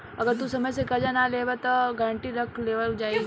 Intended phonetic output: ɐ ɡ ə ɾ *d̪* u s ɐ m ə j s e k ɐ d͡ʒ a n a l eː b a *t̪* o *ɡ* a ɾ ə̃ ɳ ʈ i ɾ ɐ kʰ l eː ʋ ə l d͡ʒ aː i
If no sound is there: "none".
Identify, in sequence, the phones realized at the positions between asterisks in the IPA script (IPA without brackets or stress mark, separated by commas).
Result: t̪, t̪, ɡ